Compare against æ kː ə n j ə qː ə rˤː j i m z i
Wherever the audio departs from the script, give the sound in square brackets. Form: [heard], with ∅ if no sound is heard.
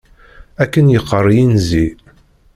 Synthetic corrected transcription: æ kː ə n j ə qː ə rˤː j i [n] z i